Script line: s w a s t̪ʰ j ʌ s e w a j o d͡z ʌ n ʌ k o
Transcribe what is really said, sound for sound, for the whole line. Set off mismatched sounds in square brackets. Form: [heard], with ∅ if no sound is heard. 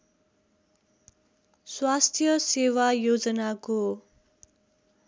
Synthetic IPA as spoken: s w a s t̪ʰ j ʌ s e w a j o d͡z ʌ n [a] k o